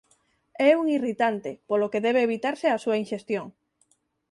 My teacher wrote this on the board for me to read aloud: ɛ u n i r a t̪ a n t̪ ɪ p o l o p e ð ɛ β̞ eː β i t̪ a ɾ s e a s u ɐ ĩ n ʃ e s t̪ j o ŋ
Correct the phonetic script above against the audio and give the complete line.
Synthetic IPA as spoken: ɛ u ŋ i r i t̪ a n t̪ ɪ p o l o k e ð ɛ β̞ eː β i t̪ a ɾ s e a s u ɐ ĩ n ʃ e s t̪ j o ŋ